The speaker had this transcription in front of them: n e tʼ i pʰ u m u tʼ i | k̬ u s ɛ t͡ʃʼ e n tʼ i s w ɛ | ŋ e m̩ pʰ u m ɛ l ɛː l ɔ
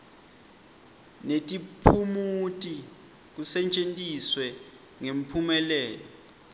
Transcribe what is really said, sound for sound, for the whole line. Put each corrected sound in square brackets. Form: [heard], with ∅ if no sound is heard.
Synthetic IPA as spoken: n e tʼ i pʰ u m u tʼ i | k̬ u s ɛ t͡ʃʼ e n tʼ i s w ɛ | ŋ e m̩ pʰ u m ɛ l ɛː l ɔ